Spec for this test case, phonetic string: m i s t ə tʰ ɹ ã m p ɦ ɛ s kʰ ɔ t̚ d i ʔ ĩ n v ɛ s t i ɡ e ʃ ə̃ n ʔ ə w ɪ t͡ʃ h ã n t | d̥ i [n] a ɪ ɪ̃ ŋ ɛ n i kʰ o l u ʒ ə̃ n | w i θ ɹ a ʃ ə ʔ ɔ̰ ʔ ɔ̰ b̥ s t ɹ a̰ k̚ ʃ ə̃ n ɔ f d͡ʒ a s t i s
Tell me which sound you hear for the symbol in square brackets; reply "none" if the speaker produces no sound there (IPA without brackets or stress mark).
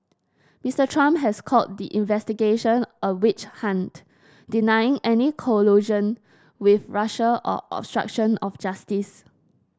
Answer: n